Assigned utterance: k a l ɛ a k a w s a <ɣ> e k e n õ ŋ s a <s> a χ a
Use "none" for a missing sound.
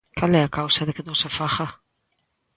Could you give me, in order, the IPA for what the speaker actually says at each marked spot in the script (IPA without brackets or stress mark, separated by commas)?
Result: ð, f